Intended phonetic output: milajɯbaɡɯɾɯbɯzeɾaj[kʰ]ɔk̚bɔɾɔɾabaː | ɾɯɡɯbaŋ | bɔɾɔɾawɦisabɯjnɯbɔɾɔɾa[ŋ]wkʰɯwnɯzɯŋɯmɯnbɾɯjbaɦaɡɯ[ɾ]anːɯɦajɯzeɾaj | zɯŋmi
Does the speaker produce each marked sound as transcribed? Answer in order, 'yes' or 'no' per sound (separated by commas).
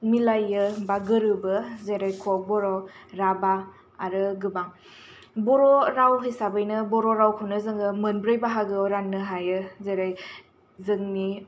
yes, no, yes